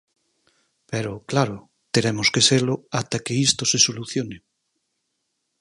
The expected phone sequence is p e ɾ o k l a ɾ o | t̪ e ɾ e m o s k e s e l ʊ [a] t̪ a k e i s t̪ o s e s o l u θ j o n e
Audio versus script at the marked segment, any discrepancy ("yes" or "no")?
no